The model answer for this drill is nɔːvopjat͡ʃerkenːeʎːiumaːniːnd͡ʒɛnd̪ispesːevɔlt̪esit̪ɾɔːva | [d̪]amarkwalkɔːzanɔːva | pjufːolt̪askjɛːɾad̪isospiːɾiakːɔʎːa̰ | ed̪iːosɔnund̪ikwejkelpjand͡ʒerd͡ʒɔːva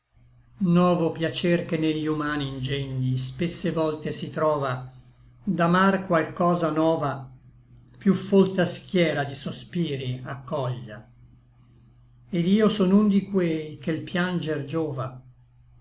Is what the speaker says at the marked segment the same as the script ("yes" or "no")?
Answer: yes